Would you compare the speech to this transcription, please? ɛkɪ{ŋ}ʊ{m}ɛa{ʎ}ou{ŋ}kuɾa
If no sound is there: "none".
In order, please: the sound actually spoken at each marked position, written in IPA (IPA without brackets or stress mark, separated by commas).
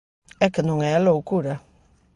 n, ŋ, l, none